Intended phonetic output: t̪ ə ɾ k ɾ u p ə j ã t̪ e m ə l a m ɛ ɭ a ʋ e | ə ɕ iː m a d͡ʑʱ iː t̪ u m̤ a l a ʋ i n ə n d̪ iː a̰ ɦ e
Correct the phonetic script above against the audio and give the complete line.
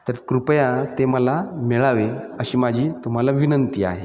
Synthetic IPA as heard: t̪ ə ɾ k ɾ u p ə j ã t̪ e m ə l a m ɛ ɭ a ʋ e | ə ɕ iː m a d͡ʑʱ iː t̪ u m̤ a l a ʋ i n ə n t̪ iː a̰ ɦ e